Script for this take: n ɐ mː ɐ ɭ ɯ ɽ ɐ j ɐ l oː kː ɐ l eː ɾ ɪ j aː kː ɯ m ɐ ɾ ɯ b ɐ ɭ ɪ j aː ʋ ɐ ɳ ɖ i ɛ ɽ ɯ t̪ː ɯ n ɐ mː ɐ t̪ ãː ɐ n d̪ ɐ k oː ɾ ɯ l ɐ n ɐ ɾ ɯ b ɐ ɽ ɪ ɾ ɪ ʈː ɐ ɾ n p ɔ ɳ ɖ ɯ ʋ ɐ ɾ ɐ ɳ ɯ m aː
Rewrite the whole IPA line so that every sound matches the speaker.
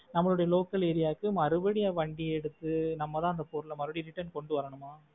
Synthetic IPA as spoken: n ɐ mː ɐ ɭ ɯ ɽ ɐ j ɐ l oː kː ɐ l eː ɾ ɪ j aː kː ɯ m ɐ ɾ ɯ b ɐ ɽ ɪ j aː ʋ ɐ ɳ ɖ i ɛ ɽ ɯ t̪ː ɯ n ɐ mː ɐ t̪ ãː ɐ n d̪ ɐ p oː ɾ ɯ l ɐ m ɐ ɾ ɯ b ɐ ɽ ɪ ɾ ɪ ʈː ɐ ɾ n k ɔ ɳ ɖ ɯ ʋ ɐ ɾ ɐ ɳ ɯ m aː